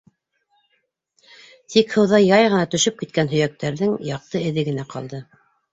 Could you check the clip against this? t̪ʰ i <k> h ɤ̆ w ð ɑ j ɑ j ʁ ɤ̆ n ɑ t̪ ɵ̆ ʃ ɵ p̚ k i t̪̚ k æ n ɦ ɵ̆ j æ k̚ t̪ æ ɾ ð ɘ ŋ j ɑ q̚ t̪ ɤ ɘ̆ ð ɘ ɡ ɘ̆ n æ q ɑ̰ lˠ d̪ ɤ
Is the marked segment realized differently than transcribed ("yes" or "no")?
no